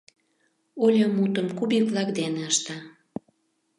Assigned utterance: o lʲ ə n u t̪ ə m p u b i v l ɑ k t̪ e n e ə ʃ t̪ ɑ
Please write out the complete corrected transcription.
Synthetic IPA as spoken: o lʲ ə m u t̪ ə m k u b i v l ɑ k d̪ e n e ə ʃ t̪ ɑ